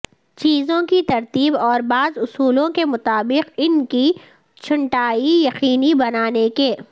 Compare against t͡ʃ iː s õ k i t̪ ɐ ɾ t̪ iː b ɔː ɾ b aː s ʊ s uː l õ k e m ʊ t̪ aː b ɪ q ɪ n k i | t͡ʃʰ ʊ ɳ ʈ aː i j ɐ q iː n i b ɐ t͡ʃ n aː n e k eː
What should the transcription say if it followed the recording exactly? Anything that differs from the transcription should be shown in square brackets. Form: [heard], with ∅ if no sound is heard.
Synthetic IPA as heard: t͡ʃ iː [z] õ k i t̪ ɐ ɾ t̪ iː b ɔː ɾ b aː [z] ʊ s uː l õ k e m ʊ t̪ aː b ɪ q ɪ n k i | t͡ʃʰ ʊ ɳ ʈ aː i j ɐ q iː n i b ɐ [∅] n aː n e k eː